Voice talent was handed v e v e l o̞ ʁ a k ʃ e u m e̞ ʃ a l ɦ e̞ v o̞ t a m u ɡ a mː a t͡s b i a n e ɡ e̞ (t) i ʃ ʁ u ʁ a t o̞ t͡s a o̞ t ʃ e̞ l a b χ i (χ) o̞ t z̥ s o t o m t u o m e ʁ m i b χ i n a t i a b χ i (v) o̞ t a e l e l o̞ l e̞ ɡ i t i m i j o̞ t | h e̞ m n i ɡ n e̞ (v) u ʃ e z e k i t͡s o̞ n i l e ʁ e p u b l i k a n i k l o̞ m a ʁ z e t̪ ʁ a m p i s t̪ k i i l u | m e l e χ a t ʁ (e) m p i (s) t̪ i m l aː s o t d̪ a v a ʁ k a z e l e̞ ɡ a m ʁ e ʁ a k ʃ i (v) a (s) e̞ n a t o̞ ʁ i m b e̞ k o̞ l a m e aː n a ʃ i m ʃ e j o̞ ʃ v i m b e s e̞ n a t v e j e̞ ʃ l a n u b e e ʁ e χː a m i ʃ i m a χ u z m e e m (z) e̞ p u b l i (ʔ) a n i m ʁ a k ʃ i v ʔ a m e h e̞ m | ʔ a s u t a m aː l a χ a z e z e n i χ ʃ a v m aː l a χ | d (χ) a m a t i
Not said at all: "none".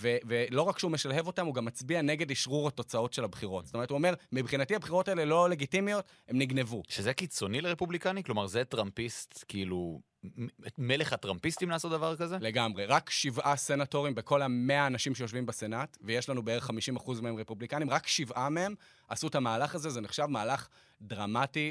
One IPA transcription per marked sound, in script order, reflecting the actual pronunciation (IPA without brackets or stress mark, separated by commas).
d, ʁ, ʁ, v, a, s, v, s, ʁ, k, ʁ